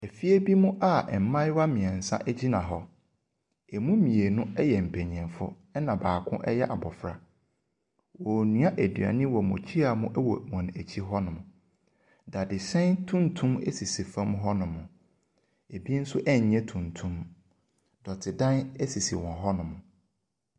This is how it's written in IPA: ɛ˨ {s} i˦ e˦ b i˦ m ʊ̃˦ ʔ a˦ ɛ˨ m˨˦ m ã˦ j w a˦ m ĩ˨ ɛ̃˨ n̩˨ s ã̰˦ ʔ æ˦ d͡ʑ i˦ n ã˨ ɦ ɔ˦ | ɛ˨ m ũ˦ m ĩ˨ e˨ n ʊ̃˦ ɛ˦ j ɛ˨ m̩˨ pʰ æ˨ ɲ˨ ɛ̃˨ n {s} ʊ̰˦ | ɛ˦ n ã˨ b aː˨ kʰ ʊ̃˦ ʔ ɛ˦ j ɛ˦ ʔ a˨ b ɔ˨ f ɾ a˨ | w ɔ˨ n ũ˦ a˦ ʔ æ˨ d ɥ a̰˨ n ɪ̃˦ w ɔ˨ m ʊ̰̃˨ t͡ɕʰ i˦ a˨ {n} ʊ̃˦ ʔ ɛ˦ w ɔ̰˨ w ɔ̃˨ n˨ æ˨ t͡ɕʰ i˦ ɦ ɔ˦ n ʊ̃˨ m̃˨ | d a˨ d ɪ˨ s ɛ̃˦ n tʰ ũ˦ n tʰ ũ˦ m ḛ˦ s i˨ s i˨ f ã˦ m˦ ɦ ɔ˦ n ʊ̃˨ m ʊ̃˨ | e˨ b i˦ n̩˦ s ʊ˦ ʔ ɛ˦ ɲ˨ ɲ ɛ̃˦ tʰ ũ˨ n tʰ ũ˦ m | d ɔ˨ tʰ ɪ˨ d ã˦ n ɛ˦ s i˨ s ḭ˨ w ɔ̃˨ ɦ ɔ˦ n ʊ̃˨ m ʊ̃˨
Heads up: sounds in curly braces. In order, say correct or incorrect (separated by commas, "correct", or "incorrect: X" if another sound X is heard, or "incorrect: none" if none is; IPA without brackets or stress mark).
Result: incorrect: f, incorrect: f, incorrect: m